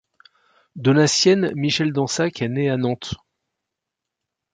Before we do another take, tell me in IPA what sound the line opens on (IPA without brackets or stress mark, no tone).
d̪